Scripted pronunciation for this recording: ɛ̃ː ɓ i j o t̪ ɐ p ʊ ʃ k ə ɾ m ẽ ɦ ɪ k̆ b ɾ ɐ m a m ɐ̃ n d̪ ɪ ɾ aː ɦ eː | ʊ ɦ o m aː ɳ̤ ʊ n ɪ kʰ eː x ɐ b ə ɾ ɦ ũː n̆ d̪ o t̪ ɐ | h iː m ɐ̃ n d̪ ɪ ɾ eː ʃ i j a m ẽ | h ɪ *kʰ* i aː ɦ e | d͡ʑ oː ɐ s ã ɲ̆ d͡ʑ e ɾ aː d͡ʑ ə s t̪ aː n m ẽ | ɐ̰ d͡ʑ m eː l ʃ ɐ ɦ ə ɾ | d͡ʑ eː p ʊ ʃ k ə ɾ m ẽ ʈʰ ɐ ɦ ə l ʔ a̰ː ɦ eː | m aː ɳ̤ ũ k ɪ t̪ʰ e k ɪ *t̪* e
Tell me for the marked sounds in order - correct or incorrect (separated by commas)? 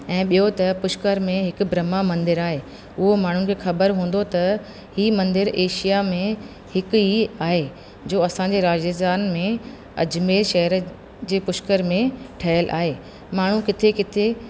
incorrect, incorrect